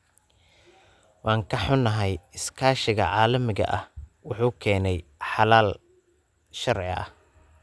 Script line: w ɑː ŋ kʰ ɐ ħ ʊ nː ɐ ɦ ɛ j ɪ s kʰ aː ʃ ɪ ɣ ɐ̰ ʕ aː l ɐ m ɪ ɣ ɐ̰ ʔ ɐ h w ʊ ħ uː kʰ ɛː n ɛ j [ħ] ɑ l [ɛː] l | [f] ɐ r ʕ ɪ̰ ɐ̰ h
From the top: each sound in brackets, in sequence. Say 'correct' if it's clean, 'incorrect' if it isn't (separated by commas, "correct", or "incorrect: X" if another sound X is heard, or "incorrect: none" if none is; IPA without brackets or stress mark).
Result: correct, incorrect: aː, incorrect: ʃ